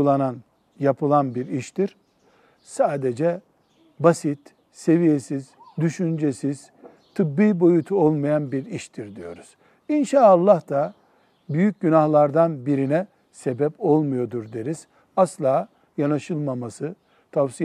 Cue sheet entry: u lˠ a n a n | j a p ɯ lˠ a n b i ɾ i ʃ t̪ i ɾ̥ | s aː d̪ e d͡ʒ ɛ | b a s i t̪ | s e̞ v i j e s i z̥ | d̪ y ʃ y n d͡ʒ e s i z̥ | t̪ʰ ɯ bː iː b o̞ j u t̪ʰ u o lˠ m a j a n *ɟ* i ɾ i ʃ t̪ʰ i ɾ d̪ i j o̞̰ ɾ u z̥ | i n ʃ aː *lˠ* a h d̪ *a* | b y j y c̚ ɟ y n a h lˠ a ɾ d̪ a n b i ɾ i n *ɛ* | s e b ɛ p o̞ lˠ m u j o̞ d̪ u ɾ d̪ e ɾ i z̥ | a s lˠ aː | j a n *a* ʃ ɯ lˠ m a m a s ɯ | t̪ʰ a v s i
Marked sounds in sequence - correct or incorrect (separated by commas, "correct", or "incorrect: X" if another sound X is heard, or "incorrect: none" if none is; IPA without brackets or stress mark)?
incorrect: b, incorrect: lˠː, correct, correct, correct